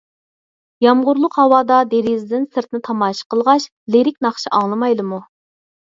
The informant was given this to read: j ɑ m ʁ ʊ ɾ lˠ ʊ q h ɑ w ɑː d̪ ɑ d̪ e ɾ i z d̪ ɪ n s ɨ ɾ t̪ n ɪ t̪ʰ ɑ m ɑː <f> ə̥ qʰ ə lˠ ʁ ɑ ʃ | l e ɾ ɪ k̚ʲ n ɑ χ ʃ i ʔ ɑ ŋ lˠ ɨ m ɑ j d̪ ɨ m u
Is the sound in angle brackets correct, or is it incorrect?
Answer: incorrect